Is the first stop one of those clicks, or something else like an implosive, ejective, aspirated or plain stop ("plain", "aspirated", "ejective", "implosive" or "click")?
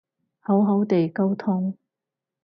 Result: plain